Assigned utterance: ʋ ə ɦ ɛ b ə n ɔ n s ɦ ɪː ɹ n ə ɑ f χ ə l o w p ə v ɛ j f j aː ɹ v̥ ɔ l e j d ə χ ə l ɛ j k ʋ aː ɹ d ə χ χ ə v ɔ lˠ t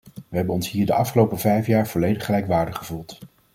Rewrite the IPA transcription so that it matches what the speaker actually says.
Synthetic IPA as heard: ʋ ə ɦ ɛ b ə n ɔ n s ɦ iː ɹ d ə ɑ f χ ə l o w p ə v ɛ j f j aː ɹ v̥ ɔ l e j d ə χ ə l ɛ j k ʋ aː ɹ d ə χ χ ə v u lˠ t